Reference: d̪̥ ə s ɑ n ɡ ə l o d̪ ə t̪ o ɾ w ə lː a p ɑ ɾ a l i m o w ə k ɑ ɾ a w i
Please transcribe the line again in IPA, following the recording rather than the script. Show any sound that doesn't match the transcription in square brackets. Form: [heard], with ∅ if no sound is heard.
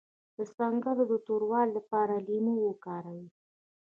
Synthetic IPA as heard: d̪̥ ə s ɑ [ŋ] ɡ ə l o d̪ ə t̪ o ɾ w [ɑ] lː a p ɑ ɾ a l i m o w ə k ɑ ɾ a w i